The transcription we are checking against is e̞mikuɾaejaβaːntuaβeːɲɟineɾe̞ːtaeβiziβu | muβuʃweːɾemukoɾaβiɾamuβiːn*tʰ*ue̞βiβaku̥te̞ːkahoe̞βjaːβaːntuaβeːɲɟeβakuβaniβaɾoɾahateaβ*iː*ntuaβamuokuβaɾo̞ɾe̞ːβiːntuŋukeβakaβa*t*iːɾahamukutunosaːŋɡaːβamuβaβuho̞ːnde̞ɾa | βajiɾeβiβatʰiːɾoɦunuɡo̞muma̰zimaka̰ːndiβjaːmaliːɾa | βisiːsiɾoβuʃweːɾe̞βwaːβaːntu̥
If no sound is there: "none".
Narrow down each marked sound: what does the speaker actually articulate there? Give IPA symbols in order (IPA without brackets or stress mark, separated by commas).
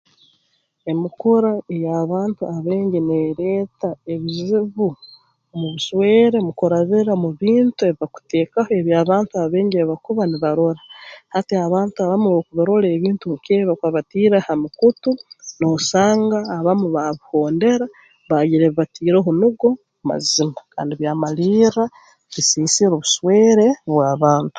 t, aː, t